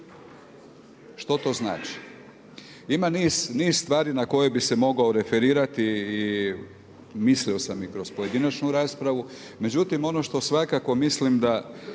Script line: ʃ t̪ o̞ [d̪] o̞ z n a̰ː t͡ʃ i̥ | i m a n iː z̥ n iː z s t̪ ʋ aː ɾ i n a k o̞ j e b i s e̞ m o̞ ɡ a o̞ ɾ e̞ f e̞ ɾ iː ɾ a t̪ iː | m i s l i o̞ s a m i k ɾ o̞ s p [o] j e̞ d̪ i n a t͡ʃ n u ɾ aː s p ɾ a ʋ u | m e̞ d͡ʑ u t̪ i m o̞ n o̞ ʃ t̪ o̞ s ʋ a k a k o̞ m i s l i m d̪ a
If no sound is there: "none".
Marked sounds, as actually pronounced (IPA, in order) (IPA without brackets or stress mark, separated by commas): t̪, o